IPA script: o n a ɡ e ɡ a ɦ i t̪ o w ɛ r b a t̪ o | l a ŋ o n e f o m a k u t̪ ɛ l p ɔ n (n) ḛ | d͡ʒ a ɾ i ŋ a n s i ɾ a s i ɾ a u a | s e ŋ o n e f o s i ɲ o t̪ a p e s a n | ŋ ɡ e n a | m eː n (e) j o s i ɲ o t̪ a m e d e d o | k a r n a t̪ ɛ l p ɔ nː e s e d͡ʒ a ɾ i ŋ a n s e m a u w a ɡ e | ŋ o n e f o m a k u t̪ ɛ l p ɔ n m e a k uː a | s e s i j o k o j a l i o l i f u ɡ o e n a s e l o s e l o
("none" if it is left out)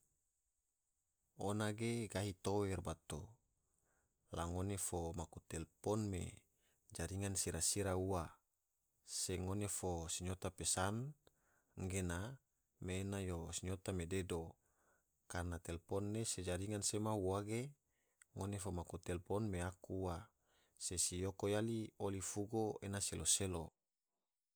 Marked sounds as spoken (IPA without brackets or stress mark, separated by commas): m, a